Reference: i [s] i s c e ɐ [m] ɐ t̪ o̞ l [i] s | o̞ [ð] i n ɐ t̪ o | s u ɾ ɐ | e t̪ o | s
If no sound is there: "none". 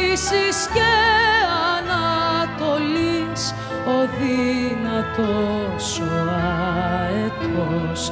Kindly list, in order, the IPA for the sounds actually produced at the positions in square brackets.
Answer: s, n, i, ð

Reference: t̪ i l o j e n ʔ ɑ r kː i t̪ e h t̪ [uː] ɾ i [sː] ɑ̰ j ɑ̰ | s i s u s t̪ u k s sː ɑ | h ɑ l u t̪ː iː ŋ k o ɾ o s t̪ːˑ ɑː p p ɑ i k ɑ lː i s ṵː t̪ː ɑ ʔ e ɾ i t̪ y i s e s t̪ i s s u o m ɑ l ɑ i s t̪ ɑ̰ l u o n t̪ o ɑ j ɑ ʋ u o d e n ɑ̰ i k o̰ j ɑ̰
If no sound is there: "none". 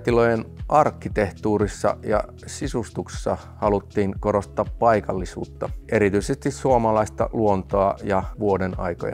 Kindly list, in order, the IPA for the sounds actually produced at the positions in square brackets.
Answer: uː, sː

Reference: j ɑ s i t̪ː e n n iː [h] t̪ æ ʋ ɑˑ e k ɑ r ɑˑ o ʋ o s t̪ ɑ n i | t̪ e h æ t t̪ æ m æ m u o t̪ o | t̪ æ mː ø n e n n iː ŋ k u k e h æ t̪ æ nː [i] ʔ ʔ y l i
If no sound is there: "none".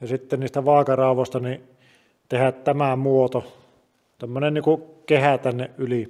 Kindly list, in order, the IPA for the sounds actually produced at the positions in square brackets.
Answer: s, e

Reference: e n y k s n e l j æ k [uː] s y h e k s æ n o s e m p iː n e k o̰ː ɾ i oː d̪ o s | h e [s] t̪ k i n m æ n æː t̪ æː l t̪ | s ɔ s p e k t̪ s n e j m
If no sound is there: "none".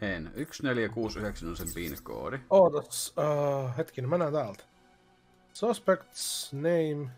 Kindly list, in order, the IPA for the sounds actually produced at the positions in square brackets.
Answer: uː, none

